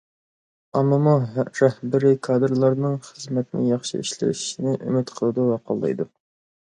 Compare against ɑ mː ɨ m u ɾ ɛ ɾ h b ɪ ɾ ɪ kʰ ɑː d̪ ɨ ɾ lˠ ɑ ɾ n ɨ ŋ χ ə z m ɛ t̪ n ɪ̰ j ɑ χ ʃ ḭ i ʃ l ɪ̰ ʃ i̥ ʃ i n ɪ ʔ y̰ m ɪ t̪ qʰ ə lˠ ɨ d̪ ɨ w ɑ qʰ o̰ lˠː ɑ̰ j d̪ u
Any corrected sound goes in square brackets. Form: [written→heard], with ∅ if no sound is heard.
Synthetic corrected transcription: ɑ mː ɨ m u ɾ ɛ [ɾ→∅] h b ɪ ɾ ɪ kʰ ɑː d̪ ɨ ɾ lˠ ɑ ɾ n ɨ ŋ χ ə z m ɛ t̪ n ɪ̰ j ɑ χ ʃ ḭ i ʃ l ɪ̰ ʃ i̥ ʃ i n ɪ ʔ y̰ m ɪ t̪ qʰ ə lˠ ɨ d̪ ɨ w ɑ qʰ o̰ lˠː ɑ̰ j d̪ u